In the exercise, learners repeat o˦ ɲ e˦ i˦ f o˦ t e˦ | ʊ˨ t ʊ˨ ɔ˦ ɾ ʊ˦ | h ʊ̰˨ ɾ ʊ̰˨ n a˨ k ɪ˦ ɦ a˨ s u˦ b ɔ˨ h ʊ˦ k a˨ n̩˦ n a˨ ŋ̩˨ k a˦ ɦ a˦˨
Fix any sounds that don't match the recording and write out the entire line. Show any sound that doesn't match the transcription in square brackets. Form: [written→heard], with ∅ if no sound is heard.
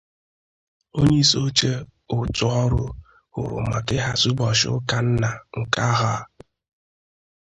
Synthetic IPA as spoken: o˦ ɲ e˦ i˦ [f→s] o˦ [t→t͡ʃ] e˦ | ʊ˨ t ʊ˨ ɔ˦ ɾ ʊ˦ | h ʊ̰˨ ɾ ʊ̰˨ [n→m] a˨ k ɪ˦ ɦ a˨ s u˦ b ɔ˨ [h→ʃ] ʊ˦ k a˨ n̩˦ n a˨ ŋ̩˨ k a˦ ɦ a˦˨

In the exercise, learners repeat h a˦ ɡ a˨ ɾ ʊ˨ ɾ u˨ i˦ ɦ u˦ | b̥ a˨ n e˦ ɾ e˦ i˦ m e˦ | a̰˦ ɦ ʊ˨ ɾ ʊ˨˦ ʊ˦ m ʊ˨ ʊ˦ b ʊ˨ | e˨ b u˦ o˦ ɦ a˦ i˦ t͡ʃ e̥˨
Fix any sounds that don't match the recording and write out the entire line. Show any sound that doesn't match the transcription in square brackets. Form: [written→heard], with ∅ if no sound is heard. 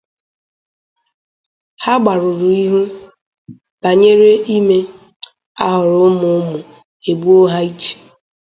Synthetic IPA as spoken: h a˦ [ɡ→ɡ͡b] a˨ ɾ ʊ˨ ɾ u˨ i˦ ɦ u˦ | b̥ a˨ [n→ɲ] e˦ ɾ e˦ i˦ m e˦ | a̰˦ ɦ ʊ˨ ɾ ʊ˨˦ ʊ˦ m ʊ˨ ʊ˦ [b→m] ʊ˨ | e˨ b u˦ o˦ ɦ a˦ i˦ t͡ʃ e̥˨

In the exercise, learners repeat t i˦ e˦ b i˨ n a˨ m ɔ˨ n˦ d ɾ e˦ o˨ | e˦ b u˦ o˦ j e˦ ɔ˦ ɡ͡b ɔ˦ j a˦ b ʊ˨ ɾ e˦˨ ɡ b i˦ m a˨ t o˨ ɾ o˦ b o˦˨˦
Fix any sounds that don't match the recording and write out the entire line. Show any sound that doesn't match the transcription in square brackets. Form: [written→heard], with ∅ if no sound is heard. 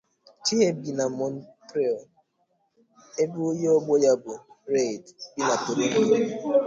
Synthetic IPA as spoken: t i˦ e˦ b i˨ n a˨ m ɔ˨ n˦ [d→t] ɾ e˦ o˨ | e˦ b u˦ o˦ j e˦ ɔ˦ ɡ͡b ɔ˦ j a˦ b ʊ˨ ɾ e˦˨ [ɡ→d] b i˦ [m→n] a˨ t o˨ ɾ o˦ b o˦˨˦

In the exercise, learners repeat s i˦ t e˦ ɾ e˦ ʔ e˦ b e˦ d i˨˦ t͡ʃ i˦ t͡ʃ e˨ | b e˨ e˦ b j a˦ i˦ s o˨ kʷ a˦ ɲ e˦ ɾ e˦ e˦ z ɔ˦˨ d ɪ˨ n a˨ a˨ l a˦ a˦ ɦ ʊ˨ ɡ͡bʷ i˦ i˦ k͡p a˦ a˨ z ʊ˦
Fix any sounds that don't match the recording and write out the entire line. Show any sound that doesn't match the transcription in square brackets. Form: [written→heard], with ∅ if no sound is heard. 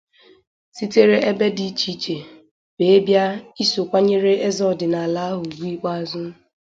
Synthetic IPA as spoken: s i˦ t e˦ ɾ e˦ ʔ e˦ b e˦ d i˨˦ t͡ʃ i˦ t͡ʃ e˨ | b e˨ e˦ b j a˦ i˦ s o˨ kʷ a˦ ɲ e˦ ɾ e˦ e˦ z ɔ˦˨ d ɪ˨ n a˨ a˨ l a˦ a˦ ɦ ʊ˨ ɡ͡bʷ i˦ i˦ k͡p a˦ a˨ z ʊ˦

